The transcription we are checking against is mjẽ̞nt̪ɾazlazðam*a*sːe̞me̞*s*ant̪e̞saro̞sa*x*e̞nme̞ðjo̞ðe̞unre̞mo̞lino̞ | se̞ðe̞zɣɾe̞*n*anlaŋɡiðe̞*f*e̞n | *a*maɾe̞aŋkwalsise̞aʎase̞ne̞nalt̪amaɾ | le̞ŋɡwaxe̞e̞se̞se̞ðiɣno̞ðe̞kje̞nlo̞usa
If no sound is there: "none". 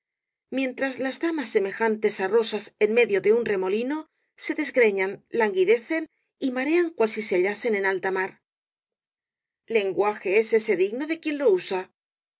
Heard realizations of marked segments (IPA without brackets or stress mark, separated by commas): a, x, s, ɲ, θ, i